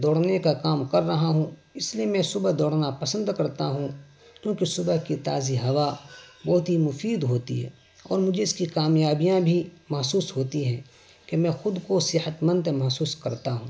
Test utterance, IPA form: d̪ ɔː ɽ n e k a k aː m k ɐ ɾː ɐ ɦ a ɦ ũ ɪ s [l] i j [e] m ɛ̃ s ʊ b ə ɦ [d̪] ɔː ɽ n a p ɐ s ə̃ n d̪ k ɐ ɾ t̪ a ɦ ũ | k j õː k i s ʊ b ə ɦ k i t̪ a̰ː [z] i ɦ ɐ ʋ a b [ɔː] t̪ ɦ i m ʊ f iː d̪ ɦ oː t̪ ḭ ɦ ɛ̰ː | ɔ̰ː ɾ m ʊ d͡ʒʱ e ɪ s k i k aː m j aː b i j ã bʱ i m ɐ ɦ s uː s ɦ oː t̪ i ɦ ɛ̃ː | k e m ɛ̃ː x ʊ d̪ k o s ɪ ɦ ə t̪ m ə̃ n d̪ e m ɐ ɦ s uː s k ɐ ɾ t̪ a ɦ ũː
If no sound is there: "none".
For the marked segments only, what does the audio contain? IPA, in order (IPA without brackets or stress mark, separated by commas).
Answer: l, e, d̪, z, ɔː